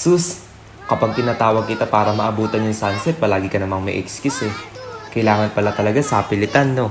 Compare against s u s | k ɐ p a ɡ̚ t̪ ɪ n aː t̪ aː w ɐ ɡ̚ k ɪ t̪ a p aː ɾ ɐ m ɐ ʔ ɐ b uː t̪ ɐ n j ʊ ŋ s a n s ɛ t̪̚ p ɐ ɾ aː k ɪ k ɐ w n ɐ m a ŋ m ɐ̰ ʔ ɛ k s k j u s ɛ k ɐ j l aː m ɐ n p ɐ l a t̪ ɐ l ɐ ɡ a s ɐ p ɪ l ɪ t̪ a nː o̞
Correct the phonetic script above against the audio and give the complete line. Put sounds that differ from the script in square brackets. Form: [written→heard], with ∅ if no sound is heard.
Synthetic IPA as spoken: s u s | k ɐ p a ɡ̚ t̪ ɪ n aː t̪ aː w ɐ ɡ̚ k ɪ t̪ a p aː ɾ ɐ m ɐ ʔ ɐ b uː t̪ ɐ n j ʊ ŋ s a n s ɛ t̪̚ p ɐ [ɾ→l] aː [k→ɡ] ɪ k ɐ [w→∅] n ɐ m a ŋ m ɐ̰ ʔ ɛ k s k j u s ɛ k ɐ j l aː [m→ŋ] ɐ n p ɐ l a t̪ ɐ l ɐ ɡ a s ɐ p ɪ l ɪ t̪ a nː o̞